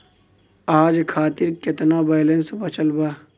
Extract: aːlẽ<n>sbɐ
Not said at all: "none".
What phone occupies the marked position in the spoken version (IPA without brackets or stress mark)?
n